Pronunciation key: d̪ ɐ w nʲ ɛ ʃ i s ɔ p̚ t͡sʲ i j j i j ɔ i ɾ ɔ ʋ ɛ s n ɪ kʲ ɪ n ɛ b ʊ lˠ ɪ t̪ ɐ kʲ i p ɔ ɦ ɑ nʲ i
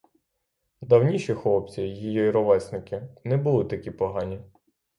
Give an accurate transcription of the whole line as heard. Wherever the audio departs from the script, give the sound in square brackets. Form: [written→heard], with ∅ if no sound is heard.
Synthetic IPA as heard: d̪ ɐ w nʲ [ɛ→i] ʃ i [s→x] ɔ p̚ t͡sʲ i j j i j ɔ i ɾ ɔ ʋ ɛ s n ɪ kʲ ɪ n ɛ b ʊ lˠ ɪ t̪ ɐ kʲ i p ɔ ɦ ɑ nʲ i